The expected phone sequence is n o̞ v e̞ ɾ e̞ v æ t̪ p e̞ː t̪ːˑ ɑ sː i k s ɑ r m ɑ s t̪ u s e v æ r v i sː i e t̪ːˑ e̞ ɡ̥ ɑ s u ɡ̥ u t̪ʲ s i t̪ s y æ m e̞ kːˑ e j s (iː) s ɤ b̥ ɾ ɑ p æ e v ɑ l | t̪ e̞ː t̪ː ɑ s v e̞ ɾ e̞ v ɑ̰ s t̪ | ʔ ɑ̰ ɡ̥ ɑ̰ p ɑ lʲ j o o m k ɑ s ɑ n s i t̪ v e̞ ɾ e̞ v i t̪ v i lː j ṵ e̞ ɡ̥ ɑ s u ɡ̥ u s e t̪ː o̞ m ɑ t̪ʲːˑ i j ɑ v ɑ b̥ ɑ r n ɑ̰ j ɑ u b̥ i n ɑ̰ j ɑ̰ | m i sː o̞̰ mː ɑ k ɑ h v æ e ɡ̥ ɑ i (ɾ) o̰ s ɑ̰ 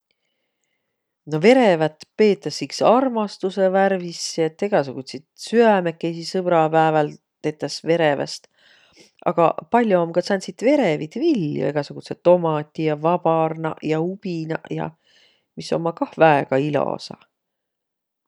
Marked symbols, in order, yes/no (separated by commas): no, no